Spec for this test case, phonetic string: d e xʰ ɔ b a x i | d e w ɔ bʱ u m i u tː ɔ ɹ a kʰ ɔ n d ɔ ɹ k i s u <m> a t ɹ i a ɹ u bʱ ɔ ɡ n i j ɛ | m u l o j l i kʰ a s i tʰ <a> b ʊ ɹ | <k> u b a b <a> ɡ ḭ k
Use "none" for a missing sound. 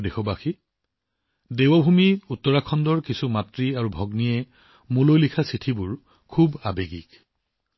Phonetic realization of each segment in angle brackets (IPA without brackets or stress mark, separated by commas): m, i, kʰ, e